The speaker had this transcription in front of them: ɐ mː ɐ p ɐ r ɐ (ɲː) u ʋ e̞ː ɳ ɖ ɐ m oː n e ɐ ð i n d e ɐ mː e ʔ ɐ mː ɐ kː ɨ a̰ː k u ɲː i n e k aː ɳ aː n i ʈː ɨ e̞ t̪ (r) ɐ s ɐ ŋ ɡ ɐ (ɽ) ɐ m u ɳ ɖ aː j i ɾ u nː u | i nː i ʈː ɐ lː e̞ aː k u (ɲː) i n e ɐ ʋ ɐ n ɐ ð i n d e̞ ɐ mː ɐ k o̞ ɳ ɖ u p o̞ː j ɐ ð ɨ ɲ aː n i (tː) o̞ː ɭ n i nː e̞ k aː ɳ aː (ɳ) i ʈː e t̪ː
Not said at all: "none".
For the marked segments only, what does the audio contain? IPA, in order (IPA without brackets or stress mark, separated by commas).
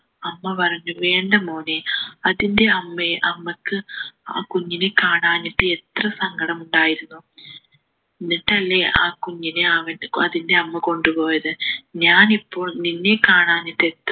ɲː, r, ɽ, ɲː, pː, n